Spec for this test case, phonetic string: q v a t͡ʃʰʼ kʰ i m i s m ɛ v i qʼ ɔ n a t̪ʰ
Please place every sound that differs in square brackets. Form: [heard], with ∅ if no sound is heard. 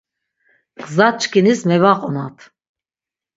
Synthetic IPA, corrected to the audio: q [z] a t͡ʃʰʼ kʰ i [n] i s m ɛ v [a] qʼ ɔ n a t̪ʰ